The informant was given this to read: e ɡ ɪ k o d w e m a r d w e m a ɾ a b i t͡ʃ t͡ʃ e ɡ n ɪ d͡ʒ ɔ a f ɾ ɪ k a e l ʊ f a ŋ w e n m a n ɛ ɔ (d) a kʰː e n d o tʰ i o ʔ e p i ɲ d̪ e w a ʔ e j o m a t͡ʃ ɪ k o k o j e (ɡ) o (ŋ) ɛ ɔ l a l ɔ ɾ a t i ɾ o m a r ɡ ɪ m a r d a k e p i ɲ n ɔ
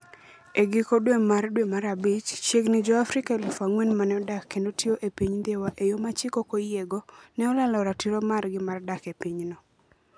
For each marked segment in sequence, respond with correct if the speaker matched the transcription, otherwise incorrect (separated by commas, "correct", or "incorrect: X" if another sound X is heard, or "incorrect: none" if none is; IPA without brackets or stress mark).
correct, correct, incorrect: n